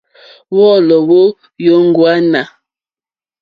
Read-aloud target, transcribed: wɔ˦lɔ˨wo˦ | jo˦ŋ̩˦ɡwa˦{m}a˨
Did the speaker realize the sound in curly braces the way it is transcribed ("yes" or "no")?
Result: no